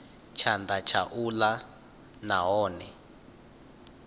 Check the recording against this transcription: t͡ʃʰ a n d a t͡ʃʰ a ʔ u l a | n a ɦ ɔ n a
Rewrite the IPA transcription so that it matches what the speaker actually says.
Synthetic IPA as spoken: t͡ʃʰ a n d a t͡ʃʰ a ʔ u l a | n a ɦ ɔː n ɛ